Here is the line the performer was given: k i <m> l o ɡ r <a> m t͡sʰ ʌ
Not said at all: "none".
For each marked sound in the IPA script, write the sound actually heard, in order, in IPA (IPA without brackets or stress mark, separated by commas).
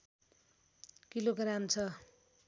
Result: none, a